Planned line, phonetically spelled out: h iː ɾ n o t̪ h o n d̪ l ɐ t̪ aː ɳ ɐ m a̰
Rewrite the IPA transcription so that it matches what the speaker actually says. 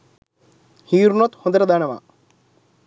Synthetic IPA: h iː ɾ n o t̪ h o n d̪ ɾ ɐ d̪ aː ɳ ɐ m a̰